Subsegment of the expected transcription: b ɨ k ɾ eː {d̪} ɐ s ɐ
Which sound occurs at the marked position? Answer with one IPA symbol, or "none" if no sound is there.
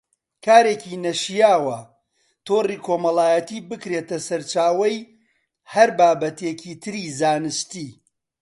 t̪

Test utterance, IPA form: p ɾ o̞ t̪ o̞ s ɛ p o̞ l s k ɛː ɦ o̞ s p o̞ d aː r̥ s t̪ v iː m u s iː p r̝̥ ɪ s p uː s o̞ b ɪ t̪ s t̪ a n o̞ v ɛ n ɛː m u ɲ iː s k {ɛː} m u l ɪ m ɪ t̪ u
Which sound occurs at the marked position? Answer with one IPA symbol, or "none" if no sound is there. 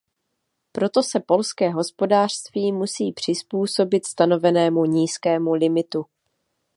ɛː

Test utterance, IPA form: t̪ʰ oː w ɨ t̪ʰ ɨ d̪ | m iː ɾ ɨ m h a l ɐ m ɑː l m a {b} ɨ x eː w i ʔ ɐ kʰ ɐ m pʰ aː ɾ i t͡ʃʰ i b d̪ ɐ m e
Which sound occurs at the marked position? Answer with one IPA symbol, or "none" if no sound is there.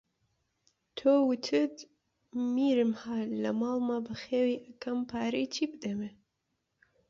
b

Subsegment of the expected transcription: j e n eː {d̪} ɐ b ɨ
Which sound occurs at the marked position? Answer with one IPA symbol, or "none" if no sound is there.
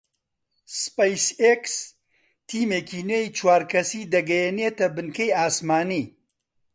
t̪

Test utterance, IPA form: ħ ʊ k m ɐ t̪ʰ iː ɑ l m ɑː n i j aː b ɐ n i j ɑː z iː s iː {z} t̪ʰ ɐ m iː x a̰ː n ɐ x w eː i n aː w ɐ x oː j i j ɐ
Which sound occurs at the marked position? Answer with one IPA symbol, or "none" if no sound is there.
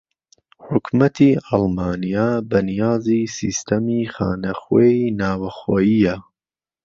s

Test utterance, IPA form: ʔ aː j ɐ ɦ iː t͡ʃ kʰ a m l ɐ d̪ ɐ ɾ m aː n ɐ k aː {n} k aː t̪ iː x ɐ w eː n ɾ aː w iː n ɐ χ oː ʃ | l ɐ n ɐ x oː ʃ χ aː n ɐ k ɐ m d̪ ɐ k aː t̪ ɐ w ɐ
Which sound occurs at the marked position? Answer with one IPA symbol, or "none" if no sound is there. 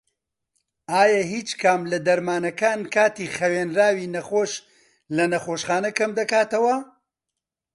n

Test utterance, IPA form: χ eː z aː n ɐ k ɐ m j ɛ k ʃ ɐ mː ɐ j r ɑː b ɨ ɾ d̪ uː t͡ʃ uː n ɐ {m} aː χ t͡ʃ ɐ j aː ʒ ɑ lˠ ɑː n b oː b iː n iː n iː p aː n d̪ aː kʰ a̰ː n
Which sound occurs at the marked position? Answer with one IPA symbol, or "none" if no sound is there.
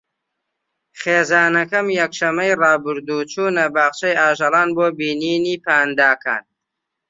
b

